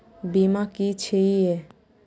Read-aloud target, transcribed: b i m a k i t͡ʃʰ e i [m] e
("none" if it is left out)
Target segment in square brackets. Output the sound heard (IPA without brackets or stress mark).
none